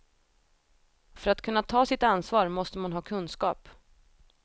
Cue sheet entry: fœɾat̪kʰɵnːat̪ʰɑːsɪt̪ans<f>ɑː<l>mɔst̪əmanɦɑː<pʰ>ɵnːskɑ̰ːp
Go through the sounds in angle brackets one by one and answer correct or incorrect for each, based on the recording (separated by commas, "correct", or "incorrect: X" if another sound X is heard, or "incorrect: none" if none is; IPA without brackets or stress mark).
incorrect: v, incorrect: ɾ, incorrect: kʰ